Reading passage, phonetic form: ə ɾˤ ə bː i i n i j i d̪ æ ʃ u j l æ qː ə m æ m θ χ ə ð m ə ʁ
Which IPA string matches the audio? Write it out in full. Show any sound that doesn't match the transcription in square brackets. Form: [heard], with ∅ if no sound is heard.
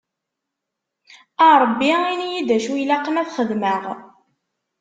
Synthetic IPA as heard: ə ɾˤ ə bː i i n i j i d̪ æ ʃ u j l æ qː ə m æ [∅] θ χ ə ð m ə ʁ